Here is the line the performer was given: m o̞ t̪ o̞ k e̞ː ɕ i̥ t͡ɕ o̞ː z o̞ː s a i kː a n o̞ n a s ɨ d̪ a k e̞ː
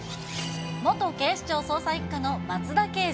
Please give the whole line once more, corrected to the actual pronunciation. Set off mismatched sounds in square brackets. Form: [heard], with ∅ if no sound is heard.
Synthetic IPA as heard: m o̞ t̪ o̞ k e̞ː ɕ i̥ t͡ɕ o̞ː [s] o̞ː s a i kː a n o̞ [m] a [t͡s] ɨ d̪ a k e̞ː